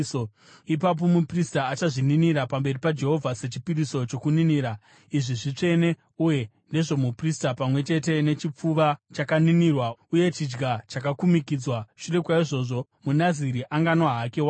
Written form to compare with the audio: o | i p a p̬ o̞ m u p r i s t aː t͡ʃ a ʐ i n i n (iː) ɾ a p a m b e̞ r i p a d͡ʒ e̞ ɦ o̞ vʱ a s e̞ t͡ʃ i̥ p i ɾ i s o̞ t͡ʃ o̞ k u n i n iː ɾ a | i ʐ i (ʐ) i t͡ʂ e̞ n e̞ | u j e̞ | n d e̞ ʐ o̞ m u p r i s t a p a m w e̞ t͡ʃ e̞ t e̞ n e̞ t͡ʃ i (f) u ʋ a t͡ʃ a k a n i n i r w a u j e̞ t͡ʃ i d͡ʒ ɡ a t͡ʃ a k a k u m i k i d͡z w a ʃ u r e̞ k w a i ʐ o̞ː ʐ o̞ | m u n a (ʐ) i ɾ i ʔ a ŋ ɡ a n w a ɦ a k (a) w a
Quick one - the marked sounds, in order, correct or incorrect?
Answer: incorrect: i, correct, incorrect: p͡f, incorrect: z, incorrect: e

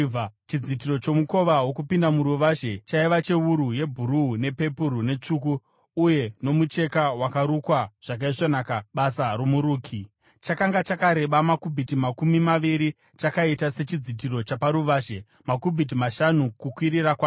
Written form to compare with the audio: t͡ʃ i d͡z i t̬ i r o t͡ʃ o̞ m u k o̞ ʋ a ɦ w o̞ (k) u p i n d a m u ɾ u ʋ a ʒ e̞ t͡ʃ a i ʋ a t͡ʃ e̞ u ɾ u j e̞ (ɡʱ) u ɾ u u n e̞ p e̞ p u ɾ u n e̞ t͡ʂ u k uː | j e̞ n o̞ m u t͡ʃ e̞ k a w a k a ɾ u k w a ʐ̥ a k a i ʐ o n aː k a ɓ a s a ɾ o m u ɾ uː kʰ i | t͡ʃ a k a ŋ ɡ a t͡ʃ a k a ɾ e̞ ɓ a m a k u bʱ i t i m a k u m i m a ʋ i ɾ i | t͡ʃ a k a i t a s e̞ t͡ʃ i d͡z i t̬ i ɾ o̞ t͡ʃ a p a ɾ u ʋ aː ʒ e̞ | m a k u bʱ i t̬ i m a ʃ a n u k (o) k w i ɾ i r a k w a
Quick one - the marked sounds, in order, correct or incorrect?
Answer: correct, incorrect: bʱ, incorrect: u

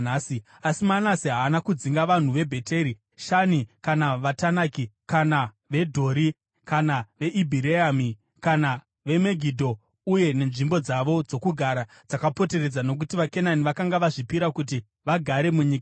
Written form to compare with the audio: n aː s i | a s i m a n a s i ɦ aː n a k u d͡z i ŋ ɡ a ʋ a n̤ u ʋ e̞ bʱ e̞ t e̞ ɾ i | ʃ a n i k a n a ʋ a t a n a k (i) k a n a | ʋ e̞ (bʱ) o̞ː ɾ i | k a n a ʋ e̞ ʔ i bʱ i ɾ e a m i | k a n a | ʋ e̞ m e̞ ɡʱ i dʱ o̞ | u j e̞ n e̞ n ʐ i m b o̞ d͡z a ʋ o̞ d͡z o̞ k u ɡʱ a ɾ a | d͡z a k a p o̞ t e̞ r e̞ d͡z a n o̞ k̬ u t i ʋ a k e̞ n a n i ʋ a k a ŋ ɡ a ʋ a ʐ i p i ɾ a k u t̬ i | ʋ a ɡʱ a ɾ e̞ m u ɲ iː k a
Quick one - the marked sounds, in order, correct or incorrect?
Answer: correct, incorrect: dʱ

